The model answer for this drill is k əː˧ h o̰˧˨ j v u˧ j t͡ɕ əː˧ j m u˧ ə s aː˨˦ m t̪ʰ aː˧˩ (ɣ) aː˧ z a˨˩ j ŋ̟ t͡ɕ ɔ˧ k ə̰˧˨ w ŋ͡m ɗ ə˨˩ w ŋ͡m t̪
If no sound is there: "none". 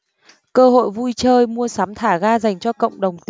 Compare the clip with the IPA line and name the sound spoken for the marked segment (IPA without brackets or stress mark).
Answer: ɣ